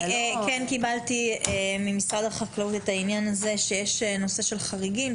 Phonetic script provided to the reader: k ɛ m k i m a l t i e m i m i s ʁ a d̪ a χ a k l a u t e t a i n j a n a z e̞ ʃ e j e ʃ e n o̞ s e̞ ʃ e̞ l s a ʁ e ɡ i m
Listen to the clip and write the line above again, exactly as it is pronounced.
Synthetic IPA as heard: k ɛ n k i b a l t i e m i m i s ʁ a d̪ a χ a k l a u t e t a i n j a n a z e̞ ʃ e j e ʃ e n o̞ s e̞ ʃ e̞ l χ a ʁ i ɡ i m